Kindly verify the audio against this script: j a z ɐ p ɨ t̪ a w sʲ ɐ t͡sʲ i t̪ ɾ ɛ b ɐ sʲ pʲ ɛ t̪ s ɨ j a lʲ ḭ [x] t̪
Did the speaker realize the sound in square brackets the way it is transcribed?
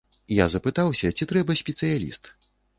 no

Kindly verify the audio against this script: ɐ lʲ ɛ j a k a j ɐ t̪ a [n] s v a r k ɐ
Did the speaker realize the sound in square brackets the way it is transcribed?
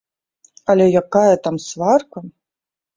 no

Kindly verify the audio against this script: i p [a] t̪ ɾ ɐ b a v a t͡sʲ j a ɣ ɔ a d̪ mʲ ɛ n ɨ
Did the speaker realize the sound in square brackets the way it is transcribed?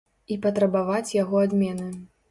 no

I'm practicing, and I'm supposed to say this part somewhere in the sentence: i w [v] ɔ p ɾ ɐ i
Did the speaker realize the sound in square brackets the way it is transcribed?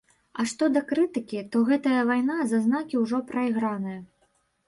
no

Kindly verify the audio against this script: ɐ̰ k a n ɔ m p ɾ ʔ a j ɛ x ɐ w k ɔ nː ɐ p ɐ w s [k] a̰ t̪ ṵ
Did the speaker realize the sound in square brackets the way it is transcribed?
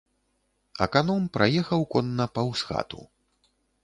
no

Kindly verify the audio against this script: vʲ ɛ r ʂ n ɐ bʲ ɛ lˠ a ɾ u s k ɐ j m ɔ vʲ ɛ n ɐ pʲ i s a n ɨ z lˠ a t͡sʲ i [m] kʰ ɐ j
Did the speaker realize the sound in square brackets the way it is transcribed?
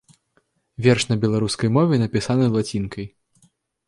no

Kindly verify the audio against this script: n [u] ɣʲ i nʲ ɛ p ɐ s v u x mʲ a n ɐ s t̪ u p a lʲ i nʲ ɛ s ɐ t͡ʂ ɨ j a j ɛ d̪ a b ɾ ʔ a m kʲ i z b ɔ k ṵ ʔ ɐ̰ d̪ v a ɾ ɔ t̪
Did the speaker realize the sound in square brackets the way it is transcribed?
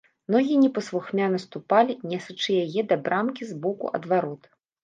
no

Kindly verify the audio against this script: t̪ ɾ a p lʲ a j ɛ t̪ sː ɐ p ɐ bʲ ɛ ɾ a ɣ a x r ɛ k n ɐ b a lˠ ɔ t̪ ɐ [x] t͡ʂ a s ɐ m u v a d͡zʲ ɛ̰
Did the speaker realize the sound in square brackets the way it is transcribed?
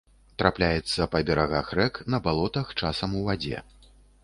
yes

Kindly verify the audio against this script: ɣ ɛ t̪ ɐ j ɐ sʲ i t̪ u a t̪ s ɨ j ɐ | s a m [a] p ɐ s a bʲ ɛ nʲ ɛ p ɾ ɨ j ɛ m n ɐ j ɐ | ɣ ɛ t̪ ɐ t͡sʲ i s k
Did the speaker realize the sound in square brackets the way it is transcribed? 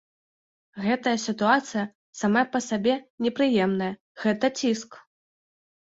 yes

